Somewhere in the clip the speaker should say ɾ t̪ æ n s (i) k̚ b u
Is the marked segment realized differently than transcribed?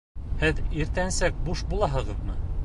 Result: yes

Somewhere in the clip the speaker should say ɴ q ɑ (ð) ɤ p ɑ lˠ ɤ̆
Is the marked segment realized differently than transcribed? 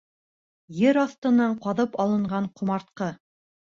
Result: no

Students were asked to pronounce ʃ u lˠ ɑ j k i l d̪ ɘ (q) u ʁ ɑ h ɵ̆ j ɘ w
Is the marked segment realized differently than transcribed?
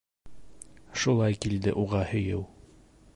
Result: yes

